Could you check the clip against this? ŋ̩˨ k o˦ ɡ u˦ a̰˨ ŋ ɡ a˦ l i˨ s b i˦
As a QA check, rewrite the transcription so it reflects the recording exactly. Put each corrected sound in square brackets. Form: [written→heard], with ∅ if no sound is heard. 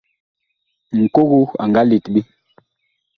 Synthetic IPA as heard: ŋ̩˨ k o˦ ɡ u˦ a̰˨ ŋ ɡ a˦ l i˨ [s→t] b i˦